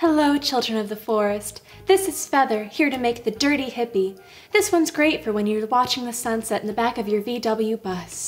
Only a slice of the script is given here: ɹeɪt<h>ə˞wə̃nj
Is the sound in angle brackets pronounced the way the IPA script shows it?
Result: no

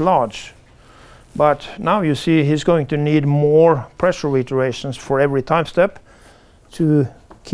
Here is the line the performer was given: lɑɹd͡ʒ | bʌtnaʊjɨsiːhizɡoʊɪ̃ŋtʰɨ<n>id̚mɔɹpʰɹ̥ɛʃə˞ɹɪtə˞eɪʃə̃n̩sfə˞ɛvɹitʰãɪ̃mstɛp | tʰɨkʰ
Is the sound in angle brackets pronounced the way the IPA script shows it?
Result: yes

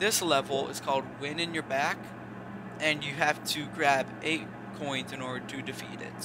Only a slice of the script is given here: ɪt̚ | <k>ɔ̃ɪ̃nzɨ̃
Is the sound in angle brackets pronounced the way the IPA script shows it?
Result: no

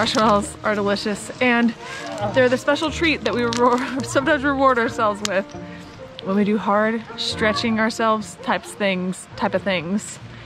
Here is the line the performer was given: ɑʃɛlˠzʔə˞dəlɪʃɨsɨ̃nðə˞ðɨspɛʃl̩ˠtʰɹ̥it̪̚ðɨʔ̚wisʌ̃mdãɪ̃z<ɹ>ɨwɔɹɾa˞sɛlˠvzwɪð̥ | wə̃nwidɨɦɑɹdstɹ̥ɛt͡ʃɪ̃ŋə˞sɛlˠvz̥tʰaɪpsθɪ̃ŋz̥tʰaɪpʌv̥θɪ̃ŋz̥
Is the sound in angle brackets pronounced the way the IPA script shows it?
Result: yes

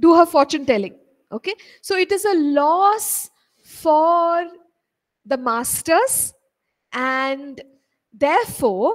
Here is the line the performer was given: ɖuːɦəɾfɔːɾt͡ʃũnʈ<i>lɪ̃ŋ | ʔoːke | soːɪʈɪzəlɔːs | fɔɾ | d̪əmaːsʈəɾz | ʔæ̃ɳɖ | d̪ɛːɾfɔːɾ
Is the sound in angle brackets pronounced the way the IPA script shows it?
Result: no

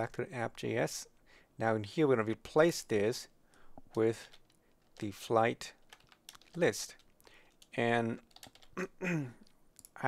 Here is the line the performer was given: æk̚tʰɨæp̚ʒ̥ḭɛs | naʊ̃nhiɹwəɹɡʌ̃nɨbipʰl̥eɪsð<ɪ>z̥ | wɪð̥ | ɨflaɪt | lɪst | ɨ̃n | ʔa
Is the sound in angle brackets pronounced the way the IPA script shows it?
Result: yes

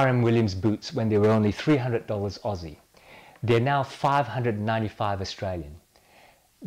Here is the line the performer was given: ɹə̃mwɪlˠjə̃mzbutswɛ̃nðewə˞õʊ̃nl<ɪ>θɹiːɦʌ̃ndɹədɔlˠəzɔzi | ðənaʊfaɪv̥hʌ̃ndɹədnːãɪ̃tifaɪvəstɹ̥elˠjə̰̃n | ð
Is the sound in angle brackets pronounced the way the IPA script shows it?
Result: no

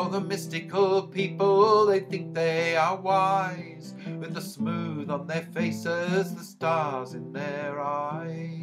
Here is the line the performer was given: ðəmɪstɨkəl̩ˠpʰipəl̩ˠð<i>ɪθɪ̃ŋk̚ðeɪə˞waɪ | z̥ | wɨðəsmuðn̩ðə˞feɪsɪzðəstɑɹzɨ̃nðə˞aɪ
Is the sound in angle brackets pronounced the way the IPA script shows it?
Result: no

